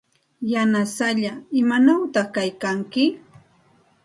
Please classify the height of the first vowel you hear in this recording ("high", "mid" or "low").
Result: low